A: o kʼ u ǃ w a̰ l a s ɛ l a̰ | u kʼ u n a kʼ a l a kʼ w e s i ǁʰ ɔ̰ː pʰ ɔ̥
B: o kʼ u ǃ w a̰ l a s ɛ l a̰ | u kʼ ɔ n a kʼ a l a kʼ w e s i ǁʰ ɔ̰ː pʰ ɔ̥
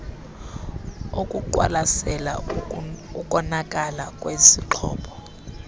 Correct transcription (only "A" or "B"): B